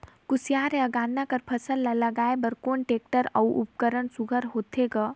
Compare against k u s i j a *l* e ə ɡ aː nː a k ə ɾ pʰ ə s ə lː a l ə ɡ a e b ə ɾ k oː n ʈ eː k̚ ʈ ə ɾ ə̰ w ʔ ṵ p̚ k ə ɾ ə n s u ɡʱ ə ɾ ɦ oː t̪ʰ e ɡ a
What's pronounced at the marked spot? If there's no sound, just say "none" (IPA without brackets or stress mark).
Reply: ɾ